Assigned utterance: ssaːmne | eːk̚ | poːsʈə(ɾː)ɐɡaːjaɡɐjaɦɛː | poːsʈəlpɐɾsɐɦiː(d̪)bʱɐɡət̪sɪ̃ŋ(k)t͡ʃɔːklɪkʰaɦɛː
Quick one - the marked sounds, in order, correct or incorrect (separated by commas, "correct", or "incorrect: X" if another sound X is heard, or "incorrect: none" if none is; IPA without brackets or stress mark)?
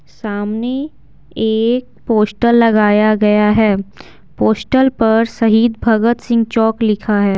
incorrect: lː, correct, incorrect: ɡ